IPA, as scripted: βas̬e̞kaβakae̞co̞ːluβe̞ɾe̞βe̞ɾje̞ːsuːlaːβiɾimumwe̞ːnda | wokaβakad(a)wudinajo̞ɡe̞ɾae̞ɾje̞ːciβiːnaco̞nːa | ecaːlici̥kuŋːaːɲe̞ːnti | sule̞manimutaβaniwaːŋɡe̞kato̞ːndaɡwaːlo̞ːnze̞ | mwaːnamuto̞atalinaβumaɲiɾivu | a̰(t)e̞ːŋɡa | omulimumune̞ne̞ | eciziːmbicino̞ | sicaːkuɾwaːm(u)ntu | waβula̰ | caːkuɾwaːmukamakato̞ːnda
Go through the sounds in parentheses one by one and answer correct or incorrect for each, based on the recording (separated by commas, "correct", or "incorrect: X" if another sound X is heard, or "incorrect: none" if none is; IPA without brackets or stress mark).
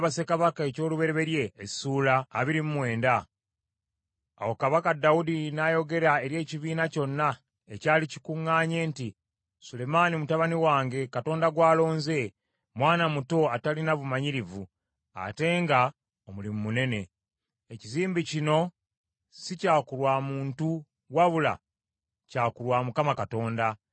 correct, correct, incorrect: uː